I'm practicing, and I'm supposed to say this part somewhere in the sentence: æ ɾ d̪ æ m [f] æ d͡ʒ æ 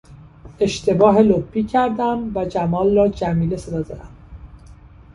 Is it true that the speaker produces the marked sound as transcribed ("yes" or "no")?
no